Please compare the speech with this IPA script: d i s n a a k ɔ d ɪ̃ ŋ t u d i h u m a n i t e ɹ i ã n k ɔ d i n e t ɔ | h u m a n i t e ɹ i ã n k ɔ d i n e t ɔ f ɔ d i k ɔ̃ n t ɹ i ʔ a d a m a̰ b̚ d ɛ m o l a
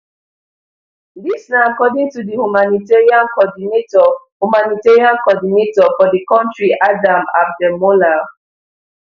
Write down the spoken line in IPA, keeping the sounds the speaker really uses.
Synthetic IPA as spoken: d i s n a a k ɔ d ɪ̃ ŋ t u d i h u m a n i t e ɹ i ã n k ɔ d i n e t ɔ | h u m a n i t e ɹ i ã n k ɔ d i n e t ɔ f ɔ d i k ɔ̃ n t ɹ i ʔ a d a m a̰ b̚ d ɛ m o l a

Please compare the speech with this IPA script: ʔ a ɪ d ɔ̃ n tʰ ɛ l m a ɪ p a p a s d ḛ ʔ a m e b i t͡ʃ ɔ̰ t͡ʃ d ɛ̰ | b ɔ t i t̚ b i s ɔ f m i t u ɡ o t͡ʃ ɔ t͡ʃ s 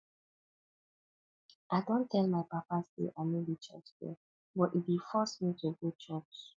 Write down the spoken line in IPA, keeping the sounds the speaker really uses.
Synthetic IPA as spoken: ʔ a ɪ d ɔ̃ n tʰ ɛ l m a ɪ p a p a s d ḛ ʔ a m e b i t͡ʃ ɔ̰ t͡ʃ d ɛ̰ | b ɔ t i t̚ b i f ɔ s m i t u ɡ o t͡ʃ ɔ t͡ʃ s

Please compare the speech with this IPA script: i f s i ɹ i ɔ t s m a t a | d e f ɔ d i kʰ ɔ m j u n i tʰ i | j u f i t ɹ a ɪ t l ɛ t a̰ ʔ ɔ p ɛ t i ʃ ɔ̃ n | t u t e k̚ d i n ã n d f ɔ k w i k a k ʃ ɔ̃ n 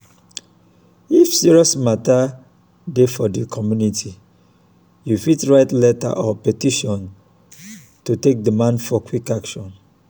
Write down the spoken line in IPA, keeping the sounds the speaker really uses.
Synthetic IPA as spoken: i f s i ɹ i ɔ s m a t a | d e f ɔ d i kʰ ɔ m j u n i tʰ i | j u f i t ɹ a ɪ t l ɛ t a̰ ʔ ɔ p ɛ t i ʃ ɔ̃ n | t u t e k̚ d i m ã n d f ɔ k w i k a k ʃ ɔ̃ n

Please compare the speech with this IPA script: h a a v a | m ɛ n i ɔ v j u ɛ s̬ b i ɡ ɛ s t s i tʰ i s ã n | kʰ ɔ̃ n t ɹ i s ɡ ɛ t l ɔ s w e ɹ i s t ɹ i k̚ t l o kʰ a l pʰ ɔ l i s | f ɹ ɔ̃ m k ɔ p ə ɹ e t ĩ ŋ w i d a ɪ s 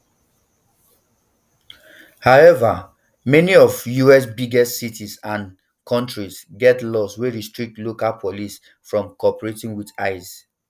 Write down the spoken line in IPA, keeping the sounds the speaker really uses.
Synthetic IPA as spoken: h a ɛ v a | m ɛ n i ɔ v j u ɛ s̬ b i ɡ ɛ s t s i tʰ i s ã n | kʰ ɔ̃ n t ɹ i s ɡ ɛ t l ɔ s w e ɹ i s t ɹ i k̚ t l o k a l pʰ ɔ l i s | f ɹ ɔ̃ m k ɔ p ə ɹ e t ĩ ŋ w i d a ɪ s

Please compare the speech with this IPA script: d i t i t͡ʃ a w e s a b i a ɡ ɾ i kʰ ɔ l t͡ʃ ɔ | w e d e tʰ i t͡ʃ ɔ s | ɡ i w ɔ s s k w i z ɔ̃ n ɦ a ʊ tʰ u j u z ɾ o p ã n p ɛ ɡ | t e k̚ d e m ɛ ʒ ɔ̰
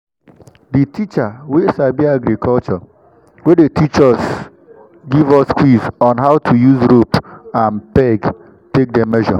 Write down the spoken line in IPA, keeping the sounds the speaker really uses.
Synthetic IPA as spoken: d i t i t͡ʃ a w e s a b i a ɡ ɾ i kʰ ɔ l t͡ʃ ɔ | w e d e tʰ i t͡ʃ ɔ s | ɡ i v ɔ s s k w i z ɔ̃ n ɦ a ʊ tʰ u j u z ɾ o p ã n p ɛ ɡ | t e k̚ d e m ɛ ʒ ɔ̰

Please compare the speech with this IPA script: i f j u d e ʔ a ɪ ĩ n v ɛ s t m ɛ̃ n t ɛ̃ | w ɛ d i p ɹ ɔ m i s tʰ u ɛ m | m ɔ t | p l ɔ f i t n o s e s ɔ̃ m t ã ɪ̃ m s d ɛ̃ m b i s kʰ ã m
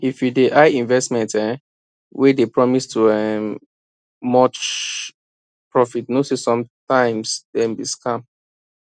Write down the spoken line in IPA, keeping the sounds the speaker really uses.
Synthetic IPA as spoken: i f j u d e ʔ a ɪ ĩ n v ɛ s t m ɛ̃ n t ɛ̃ | w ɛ d e p ɹ ɔ m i s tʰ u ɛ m | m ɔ t͡ʃ | p ɹ ɔ f i t n o s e s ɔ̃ m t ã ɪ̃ m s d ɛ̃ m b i s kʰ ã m

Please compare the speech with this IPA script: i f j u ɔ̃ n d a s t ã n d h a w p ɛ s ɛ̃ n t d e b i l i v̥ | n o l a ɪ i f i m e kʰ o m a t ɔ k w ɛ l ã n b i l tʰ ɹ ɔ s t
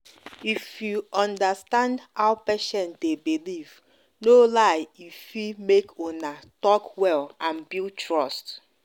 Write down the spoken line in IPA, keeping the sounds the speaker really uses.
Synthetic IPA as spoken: i f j u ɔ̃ n d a s t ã n d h a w p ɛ ʃ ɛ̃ n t d e b i l i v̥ | n o l a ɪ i f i m e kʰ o n a t ɔ k w ɛ l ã n b i l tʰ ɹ ɔ s t

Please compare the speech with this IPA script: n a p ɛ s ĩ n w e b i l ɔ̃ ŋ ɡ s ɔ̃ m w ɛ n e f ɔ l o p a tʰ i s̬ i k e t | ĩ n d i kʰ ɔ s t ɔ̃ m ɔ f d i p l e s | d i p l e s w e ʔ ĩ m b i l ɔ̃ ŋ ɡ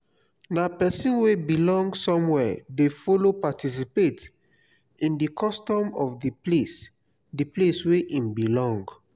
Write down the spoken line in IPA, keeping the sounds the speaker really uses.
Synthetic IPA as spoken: n a p ɛ s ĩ n w e b i l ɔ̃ ŋ ɡ s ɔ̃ m w ɛ d e f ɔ l o p a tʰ i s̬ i p e t | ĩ n d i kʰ ɔ s t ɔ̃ m ɔ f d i p l e s | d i p l e s w e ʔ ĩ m b i l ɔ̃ ŋ ɡ

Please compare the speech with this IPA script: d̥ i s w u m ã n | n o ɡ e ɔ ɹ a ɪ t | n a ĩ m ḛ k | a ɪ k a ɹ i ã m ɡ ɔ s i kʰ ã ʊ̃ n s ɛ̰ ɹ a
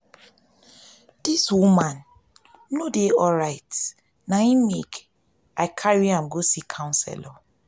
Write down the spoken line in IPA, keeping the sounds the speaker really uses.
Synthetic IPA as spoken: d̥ i s w u m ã n | n o d e ɔ ɹ a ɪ t | n a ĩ m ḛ k | a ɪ kʰ a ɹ i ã m ɡ o s i kʰ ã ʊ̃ n s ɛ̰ l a

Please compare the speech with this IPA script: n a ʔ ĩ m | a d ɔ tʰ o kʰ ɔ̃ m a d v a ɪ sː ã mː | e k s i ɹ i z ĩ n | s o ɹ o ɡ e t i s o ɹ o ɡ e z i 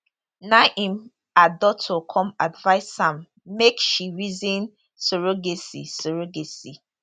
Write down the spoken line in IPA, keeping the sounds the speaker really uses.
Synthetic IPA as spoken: n a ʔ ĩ m | a d ɔ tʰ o kʰ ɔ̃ m a d v a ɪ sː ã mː | e k ʃ i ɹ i z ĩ n | s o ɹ o ɡ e s i s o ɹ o ɡ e s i

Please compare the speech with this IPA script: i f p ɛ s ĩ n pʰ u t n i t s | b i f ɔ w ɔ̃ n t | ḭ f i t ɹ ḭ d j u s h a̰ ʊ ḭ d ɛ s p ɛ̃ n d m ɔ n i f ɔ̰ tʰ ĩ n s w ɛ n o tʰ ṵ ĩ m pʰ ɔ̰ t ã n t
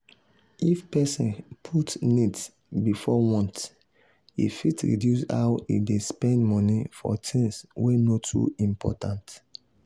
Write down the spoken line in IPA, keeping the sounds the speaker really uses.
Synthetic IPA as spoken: i f p ɛ s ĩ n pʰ u t n i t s | b i f ɔ w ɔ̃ n t | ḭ f i t ɹ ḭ d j u s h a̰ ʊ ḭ d e s p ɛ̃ n d m ɔ n i f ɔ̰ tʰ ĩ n s w e n o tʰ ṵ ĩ m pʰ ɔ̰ t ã n t

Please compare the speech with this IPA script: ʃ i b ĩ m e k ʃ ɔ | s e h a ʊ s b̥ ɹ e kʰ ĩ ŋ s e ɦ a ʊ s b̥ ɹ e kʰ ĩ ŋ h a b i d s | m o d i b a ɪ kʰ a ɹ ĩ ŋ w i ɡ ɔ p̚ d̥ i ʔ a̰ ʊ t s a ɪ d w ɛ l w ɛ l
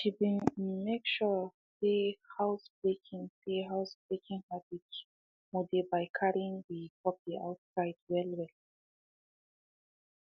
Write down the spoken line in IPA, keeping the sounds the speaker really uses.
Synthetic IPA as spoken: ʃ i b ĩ m e k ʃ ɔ | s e h a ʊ s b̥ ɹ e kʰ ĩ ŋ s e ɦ a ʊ s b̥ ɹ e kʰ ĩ ŋ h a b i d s | m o d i b a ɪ kʰ a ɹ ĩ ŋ w i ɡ ɔ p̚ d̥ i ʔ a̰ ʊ t s a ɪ d w ɛ l w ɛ l

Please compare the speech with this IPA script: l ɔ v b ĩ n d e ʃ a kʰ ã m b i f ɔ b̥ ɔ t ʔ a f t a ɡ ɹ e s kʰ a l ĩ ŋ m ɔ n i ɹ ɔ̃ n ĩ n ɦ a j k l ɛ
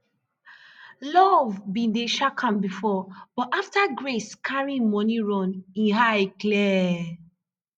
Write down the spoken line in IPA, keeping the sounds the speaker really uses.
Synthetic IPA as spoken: l ɔ v b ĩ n d e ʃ a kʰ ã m b i f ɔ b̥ ɔ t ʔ a f t a ɡ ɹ e s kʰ a ɹ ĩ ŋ m ɔ n i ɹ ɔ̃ n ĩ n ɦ a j k l ɛ

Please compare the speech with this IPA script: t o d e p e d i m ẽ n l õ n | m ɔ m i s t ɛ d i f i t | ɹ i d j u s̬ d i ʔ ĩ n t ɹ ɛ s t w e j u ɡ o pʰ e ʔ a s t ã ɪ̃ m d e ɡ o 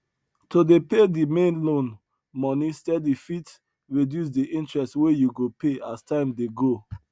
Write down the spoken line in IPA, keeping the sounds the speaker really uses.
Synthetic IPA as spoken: t o d e p e d i m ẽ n l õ n | m ɔ n i s t ɛ d i f i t | ɹ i d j u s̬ d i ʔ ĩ n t ɹ ɛ s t w e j u ɡ o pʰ e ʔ a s t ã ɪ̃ m d e ɡ o

